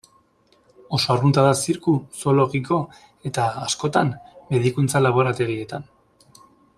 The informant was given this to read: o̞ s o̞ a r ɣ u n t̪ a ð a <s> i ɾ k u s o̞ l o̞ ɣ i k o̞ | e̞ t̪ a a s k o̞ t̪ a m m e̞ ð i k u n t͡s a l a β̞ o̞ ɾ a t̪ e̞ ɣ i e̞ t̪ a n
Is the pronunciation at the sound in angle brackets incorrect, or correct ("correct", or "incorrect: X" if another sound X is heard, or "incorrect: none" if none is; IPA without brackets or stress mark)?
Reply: correct